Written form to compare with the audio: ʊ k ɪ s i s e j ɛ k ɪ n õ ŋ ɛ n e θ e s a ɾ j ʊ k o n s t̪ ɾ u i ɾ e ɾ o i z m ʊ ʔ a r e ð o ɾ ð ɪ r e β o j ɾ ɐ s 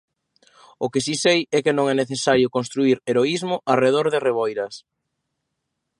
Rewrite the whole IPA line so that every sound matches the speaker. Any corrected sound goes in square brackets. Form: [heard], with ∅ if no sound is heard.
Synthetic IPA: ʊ k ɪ s i s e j ɛ k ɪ n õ ŋ ɛ n e θ e s a ɾ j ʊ k o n s t̪ ɾ u i ɾ e ɾ o i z m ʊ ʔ a r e ð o ɾ ð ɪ r e β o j ɾ ɐ s